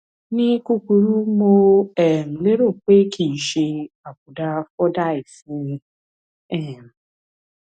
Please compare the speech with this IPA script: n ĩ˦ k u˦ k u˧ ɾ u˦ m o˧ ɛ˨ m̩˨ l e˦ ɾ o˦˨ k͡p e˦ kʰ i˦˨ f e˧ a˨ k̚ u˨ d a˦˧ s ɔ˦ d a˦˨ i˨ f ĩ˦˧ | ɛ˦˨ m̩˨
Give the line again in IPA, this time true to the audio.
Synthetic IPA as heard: n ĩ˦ k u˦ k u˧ ɾ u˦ m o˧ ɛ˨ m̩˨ l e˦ ɾ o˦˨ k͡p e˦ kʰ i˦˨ ʃ e˧ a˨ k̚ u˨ d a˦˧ f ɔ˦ d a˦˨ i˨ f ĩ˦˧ | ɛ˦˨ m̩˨